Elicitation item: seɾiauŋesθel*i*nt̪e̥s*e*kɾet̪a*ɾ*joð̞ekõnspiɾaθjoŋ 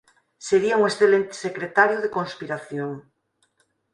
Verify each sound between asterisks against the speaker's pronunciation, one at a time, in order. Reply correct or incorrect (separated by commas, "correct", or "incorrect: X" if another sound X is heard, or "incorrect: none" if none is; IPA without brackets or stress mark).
incorrect: e, correct, correct